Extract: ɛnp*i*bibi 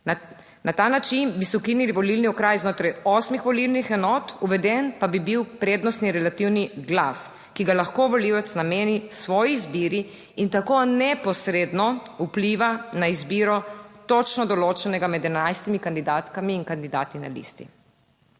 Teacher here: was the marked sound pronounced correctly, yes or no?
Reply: no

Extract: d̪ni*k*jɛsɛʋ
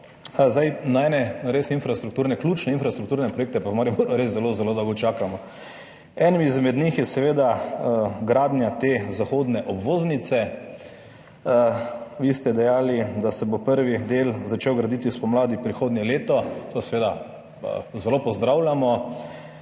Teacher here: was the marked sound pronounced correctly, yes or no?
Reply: no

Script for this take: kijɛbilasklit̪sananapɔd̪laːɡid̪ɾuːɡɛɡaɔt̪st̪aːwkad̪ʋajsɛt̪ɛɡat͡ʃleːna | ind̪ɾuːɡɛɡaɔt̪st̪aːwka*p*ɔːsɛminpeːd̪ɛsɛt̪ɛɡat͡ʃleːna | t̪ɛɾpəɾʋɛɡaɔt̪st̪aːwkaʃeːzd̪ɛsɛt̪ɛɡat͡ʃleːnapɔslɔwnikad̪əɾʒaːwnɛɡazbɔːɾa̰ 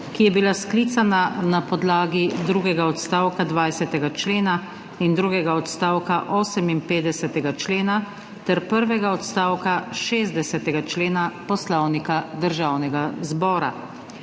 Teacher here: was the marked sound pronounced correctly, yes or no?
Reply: no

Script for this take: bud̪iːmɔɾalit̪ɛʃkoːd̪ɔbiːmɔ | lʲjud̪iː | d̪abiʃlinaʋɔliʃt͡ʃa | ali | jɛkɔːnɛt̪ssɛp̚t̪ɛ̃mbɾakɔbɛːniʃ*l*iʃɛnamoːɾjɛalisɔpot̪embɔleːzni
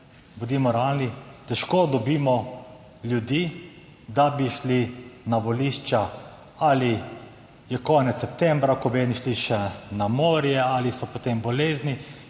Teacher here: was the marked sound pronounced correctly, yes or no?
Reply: yes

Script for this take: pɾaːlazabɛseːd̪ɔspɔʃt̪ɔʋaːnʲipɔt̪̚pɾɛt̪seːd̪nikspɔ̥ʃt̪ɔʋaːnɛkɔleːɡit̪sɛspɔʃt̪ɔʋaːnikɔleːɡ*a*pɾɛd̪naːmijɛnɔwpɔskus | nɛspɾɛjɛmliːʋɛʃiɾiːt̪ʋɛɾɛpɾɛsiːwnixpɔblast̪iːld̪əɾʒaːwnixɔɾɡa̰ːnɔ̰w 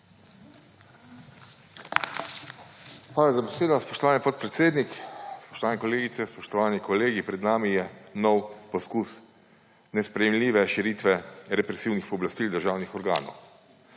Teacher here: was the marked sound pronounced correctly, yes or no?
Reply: no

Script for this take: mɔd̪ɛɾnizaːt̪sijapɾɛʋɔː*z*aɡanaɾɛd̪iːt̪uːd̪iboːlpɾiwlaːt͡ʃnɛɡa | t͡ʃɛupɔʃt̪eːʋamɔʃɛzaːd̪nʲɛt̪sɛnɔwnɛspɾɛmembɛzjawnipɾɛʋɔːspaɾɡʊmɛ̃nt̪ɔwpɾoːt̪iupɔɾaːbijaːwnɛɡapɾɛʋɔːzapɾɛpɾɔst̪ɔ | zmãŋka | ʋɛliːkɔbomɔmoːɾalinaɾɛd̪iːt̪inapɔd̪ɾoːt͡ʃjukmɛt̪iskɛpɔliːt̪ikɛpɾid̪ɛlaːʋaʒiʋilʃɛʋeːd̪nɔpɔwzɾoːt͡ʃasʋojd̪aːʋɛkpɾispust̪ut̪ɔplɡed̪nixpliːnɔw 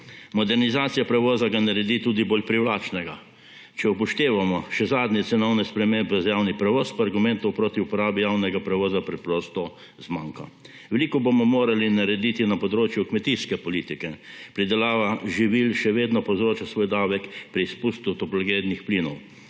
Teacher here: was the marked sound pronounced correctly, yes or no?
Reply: yes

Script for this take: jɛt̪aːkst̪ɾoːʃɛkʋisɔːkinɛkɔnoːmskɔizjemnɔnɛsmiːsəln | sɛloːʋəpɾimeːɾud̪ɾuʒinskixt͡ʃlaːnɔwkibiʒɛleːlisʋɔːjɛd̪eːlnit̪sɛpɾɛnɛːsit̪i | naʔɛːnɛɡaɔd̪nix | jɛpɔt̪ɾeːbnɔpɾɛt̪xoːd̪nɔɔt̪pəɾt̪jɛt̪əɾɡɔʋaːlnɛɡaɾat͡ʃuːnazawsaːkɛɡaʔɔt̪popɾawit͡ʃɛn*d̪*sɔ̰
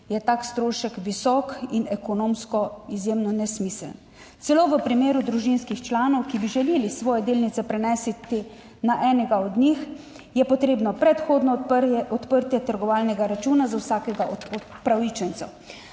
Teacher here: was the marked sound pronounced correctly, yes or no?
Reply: no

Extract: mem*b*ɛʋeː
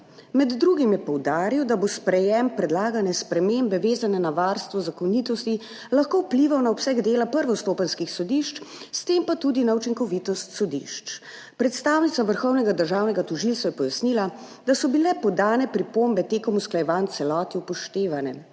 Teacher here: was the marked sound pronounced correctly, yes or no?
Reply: yes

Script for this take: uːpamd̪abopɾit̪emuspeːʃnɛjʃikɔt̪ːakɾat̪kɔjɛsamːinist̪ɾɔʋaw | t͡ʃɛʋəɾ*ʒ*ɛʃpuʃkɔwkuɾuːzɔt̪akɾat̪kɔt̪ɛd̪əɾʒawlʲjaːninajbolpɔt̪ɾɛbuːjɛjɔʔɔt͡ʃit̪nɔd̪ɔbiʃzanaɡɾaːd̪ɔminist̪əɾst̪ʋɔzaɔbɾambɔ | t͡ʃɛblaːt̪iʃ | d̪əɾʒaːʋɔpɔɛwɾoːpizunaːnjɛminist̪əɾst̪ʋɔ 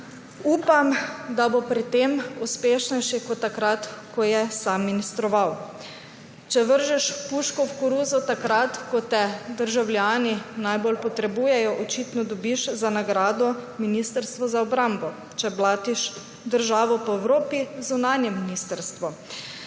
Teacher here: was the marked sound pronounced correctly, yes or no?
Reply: yes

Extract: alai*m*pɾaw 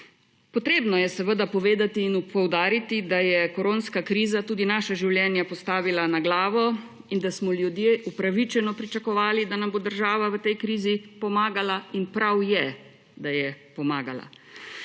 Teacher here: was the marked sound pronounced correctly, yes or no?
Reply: no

